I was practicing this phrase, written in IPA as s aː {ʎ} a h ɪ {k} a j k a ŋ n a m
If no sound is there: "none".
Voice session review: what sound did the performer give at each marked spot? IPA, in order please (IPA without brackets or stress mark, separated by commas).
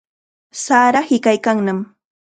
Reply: ɾ, k